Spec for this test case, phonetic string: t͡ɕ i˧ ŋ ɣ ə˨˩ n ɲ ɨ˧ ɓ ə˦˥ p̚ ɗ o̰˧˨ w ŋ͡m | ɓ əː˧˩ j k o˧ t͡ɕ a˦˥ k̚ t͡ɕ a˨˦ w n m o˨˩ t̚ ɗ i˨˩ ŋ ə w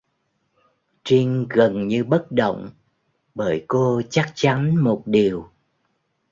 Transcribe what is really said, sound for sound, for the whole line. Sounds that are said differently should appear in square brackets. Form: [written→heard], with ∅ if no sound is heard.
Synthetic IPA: t͡ɕ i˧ ŋ ɣ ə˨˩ n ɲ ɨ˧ ɓ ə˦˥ [p̚→t̚] ɗ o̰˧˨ w ŋ͡m | ɓ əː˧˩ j k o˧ t͡ɕ a˦˥ k̚ t͡ɕ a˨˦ [w→∅] n m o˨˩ t̚ ɗ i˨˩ [ŋ→∅] ə w

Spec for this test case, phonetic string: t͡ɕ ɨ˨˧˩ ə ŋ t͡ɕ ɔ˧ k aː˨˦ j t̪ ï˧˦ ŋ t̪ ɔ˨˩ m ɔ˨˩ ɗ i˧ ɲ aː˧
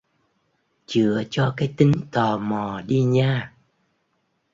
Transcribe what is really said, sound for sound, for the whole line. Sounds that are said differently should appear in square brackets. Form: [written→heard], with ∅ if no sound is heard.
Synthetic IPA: t͡ɕ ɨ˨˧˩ ə [ŋ→∅] t͡ɕ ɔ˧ k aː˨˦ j t̪ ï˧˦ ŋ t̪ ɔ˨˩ m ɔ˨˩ ɗ i˧ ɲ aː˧

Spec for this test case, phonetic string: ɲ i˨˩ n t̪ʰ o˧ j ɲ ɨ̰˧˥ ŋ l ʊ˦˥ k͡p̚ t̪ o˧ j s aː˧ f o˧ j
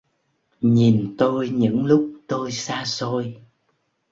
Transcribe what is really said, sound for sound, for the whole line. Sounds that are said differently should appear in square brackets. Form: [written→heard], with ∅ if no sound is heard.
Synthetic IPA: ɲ i˨˩ n [t̪ʰ→t̪] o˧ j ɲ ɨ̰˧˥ ŋ l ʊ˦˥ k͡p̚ t̪ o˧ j s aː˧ [f→s] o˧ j

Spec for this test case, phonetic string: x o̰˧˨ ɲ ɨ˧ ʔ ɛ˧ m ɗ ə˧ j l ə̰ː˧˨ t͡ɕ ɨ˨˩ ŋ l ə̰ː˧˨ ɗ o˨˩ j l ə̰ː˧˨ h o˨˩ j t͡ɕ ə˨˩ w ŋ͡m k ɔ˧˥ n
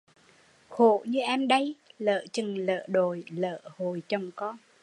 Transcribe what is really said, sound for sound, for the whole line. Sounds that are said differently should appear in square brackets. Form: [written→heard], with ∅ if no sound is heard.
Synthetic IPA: x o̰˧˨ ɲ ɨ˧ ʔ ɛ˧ m ɗ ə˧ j l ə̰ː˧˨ t͡ɕ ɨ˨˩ ŋ l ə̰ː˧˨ ɗ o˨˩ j l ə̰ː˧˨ h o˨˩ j t͡ɕ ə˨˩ w ŋ͡m k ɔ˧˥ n

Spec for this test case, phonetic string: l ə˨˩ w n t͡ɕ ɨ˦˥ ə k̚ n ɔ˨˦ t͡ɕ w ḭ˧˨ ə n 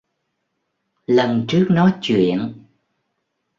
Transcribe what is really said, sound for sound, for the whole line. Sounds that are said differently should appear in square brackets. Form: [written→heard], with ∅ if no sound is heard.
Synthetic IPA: l ə˨˩ [w→∅] n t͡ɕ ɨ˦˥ ə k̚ n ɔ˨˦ t͡ɕ w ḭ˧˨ ə n

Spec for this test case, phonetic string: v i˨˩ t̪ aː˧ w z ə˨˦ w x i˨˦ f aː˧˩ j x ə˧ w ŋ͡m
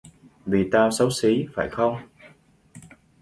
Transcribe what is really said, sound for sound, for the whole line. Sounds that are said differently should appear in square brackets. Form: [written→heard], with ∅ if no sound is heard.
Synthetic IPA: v i˨˩ t̪ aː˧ w [z→s] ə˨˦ w [x→s] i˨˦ f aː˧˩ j x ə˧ w ŋ͡m

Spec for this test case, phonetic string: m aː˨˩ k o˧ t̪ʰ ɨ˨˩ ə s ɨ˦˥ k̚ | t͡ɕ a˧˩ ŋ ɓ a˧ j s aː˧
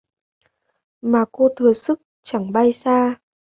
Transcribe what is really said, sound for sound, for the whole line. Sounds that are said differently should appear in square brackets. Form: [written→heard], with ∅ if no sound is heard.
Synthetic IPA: m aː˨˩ k o˧ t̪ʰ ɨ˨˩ ə s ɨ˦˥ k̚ | t͡ɕ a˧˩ ŋ ɓ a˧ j s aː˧

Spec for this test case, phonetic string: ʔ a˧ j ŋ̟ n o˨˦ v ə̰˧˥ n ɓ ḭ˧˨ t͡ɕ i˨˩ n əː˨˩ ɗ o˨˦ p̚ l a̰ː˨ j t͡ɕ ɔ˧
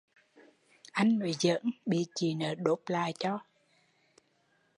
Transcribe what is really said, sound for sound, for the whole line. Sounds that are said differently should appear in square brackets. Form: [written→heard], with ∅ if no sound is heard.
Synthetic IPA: ʔ a˧ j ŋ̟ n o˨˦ [v→z] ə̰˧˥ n ɓ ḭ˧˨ t͡ɕ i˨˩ n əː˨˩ ɗ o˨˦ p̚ l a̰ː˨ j t͡ɕ ɔ˧

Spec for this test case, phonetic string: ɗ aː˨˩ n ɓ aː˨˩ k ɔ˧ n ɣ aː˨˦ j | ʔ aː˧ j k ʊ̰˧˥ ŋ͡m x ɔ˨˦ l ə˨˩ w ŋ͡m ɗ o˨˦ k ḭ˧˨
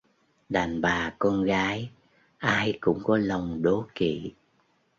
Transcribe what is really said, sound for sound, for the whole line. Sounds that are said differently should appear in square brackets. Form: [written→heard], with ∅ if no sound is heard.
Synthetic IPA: ɗ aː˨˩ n ɓ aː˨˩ k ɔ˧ n ɣ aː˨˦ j | ʔ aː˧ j k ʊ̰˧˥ ŋ͡m [x→k] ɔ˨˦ l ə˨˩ w ŋ͡m ɗ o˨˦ k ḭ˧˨

